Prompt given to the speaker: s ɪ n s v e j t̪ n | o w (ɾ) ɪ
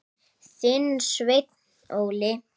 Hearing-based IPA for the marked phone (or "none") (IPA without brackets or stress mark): l